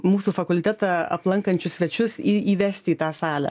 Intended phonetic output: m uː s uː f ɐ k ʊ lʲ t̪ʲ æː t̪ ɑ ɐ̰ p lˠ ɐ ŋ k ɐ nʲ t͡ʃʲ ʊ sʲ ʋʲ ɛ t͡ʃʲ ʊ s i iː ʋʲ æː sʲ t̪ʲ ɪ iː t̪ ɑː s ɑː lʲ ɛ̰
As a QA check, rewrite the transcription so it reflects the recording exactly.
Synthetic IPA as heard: m uː s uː f ɐ k ʊ lʲ t̪ʲ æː t̪ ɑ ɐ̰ p lˠ ɐ ŋ k ɐ nʲ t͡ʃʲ ʊ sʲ ʋʲ ɛ t͡ʃʲ ʊ s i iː ʋʲ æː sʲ t̪ʲ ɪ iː t̪ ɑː s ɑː lʲ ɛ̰